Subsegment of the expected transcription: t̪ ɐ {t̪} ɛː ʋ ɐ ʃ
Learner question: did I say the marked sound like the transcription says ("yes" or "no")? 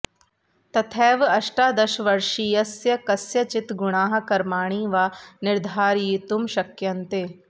no